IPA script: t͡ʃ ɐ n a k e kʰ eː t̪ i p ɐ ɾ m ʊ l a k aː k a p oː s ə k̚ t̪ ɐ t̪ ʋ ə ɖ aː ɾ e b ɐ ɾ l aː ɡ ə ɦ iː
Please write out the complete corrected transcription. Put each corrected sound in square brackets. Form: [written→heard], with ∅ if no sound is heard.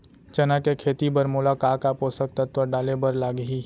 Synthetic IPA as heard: t͡ʃ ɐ n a k e kʰ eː t̪ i [p→b] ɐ ɾ m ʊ l a k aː k a p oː s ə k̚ t̪ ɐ t̪ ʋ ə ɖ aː [ɾ→l] e b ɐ ɾ l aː ɡ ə ɦ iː